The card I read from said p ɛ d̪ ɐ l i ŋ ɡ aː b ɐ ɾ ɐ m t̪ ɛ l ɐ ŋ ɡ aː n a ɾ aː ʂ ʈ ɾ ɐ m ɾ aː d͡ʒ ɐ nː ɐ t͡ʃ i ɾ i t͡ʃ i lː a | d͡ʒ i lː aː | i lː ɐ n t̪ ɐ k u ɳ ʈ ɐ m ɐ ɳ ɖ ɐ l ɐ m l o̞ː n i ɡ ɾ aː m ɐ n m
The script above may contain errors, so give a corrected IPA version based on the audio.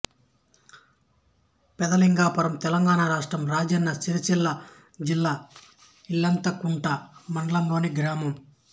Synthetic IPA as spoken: p ɛ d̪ ɐ l i ŋ ɡ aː p ɐ ɾ ɐ m t̪ ɛ l ɐ ŋ ɡ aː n a ɾ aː ʂ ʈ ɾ ɐ m ɾ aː d͡ʒ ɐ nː ɐ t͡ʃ i ɾ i t͡ʃ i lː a | d͡ʒ i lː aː | i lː ɐ n t̪ ɐ k u ɳ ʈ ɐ m ɐ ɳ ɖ ɐ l ɐ m l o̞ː n i ɡ ɾ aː m ɐ m